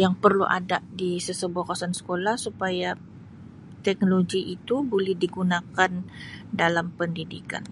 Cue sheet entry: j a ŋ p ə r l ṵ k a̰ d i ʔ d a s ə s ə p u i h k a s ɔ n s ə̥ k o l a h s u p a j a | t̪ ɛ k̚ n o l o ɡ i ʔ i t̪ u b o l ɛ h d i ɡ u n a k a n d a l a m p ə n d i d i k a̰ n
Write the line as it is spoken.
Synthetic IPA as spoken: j a ŋ p ə r l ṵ ʔ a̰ d a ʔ d i s ə s ə b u a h k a s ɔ n s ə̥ k o l a h s u p a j a | t̪ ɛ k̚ n o l o ɡ i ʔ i t̪ u b o l ɛ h d i ɡ u n a k a n d a l a m p ə n d i d i k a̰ n